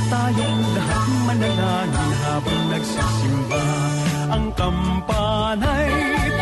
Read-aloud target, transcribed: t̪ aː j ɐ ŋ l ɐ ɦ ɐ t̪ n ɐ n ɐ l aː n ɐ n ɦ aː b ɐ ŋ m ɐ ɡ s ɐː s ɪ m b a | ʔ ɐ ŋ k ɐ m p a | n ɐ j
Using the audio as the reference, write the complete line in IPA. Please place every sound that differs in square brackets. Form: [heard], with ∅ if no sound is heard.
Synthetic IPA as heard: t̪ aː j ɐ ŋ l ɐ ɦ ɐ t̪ [m] ɐ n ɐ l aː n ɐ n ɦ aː b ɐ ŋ [n] ɐ ɡ s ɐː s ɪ m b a | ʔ ɐ ŋ k ɐ m p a | n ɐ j